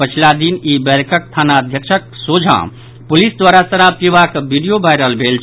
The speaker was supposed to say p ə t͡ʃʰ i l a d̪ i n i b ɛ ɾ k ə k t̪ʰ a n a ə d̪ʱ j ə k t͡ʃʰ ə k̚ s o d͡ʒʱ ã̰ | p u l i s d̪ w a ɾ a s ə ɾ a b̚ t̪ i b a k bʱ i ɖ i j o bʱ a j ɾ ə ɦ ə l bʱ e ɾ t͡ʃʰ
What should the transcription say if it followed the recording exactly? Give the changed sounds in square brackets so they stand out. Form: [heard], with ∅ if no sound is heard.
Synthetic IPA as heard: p ə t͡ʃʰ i l a d̪ i n i b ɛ ɾ k ə k t̪ʰ a n a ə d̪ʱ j ə k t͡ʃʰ ə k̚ s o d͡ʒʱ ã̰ | p u l i s d̪ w a ɾ a s ə ɾ a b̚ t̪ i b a k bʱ i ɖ i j o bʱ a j ɾ ə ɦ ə l bʱ e [l] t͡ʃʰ